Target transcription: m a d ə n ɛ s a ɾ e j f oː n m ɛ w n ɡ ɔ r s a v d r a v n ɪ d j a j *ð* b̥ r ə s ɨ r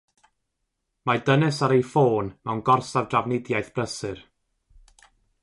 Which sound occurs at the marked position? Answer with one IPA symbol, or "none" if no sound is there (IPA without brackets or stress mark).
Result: θ